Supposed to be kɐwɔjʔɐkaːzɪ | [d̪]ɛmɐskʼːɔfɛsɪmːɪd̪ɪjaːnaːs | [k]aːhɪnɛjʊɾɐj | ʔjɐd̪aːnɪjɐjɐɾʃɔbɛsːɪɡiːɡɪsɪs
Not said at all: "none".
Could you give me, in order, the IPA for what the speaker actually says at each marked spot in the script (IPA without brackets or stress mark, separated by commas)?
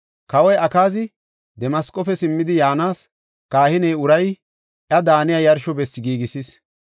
d̪, k